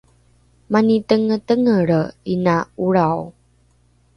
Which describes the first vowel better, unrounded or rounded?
unrounded